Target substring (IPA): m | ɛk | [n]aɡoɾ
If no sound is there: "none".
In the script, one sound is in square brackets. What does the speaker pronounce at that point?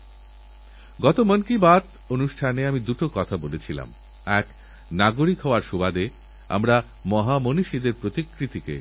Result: n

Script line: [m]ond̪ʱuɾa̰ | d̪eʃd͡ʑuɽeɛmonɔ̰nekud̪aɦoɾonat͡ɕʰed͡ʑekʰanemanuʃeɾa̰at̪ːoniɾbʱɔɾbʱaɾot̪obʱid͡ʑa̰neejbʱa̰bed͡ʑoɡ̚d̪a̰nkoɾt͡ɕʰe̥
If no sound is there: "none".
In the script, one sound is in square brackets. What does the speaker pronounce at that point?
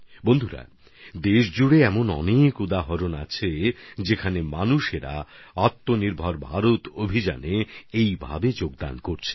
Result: b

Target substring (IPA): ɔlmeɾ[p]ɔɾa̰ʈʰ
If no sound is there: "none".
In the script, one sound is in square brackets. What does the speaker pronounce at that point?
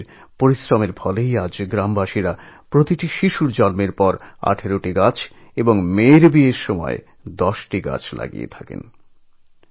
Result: p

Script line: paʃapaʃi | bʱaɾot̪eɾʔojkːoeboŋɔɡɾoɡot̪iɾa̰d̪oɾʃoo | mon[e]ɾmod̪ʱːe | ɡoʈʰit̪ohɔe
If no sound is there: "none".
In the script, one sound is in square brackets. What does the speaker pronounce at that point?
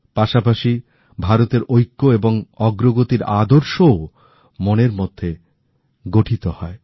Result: e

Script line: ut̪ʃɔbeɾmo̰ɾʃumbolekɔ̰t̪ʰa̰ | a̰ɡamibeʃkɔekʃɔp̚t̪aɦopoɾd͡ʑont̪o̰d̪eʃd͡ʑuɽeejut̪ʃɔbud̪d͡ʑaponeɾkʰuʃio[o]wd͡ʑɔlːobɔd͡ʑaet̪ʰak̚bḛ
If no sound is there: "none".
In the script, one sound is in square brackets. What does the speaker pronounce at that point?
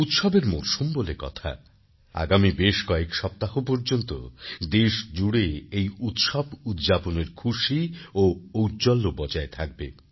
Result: o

